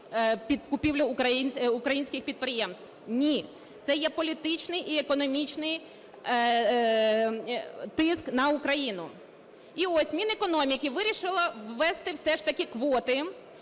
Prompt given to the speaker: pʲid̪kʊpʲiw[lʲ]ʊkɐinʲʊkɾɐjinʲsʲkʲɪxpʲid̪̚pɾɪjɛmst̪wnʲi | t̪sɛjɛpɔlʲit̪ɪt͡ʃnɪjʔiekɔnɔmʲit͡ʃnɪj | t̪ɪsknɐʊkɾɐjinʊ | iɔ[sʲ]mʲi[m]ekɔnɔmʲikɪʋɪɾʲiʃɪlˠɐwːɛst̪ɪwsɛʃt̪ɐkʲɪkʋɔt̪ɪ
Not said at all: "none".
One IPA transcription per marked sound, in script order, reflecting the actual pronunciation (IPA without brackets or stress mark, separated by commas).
lʲ, sʲ, n